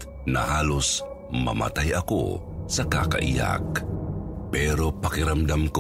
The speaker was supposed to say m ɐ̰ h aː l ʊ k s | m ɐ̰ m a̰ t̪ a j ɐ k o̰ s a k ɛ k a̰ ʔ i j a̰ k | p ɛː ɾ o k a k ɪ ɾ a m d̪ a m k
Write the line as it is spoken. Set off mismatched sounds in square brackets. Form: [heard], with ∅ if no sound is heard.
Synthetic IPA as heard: [n] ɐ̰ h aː l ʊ [∅] s | m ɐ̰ m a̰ t̪ a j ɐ k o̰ s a k [a] k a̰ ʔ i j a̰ k | p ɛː ɾ o [p] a k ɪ ɾ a m d̪ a m k